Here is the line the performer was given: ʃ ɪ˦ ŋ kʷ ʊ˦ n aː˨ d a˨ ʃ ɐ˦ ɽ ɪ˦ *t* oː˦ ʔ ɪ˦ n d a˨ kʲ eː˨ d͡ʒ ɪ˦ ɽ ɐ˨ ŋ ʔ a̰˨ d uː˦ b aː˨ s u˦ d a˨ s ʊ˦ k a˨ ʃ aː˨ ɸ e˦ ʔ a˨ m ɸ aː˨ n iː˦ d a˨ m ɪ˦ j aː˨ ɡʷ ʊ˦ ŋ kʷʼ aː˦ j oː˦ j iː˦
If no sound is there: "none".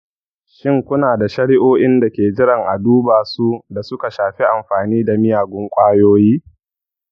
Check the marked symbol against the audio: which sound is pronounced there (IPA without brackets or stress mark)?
ʔ